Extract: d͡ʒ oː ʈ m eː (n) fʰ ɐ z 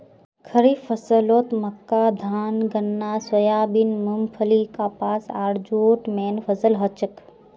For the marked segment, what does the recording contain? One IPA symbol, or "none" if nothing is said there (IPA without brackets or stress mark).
n